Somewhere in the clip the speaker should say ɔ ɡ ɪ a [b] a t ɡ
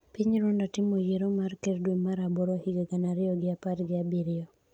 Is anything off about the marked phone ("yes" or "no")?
yes